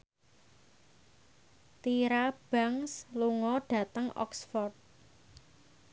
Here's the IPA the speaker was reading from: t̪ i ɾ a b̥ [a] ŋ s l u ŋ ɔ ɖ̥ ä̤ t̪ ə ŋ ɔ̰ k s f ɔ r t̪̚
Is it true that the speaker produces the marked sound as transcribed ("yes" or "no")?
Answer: yes